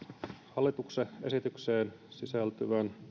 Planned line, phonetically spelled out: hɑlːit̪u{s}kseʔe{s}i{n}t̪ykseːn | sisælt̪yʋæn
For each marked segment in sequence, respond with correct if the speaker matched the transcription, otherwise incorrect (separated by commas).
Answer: incorrect, correct, incorrect